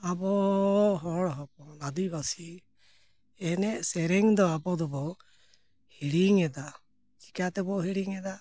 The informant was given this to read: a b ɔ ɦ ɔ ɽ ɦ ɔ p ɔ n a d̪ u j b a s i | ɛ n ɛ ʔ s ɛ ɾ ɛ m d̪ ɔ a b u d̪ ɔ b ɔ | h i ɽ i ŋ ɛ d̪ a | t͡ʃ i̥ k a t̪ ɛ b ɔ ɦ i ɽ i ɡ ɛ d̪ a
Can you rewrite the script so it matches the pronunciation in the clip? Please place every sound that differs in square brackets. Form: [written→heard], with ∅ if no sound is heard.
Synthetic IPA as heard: a b ɔ ɦ ɔ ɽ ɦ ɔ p ɔ n a d̪ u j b a s i | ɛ n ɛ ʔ s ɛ ɾ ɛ [m→ŋ] d̪ ɔ a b [u→ɔ] d̪ ɔ b ɔ | h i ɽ i ŋ ɛ d̪ a | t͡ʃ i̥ k a t̪ ɛ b ɔ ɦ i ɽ i [ɡ→ŋ] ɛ d̪ a